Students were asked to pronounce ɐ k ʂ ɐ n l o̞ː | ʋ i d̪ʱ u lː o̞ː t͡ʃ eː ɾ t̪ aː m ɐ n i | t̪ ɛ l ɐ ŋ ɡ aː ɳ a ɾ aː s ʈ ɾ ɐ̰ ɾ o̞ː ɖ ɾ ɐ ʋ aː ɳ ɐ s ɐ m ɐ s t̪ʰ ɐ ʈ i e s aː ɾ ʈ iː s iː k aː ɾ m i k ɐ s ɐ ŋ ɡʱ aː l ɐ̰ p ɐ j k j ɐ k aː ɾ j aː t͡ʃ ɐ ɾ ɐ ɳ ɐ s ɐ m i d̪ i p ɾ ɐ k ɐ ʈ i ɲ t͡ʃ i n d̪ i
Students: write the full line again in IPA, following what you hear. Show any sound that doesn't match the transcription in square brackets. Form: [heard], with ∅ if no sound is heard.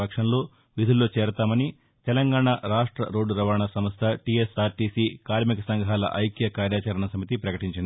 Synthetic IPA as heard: ɐ k ʂ ɐ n l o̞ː | ʋ i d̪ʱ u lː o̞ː t͡ʃ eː ɾ t̪ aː m ɐ n i | t̪ ɛ l ɐ ŋ ɡ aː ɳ a ɾ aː [ʂ] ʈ ɾ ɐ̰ ɾ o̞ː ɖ ɾ ɐ ʋ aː ɳ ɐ s ɐ m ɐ s t̪ʰ ɐ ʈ i e s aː ɾ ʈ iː s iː k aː ɾ m i k ɐ s ɐ ŋ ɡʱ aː l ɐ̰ [ʔ] ɐ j k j ɐ k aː ɾ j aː t͡ʃ ɐ ɾ ɐ ɳ ɐ s ɐ m i [t̪] i p ɾ ɐ k ɐ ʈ i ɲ t͡ʃ i n d̪ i